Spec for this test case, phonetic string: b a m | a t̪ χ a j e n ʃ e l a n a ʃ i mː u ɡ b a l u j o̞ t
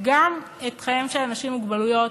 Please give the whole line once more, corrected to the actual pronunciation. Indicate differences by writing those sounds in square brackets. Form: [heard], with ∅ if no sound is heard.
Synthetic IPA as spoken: [ɡ] a m | [e] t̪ χ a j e [m] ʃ e l a n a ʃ i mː u ɡ b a l u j o̞ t